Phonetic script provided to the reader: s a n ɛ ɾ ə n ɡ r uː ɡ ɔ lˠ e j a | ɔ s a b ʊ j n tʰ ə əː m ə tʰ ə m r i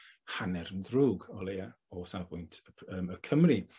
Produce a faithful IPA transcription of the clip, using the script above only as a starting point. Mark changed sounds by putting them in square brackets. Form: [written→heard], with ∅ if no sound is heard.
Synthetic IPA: [s→h] a n ɛ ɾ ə n [ɡ→d] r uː ɡ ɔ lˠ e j a | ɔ s a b ʊ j n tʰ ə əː m ə [tʰ→kʰ] ə m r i